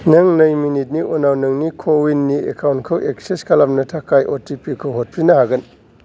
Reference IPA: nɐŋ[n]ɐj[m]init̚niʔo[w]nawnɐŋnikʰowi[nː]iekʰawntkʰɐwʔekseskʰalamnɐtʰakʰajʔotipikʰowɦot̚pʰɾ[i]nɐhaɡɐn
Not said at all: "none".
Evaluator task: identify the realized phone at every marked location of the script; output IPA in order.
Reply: n, m, none, nː, i

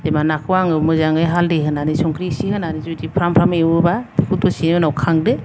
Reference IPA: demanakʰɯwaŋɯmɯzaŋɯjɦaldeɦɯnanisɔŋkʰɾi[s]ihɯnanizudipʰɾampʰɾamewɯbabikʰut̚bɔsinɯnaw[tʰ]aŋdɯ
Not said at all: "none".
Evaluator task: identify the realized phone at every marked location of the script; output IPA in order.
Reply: s, kʰ

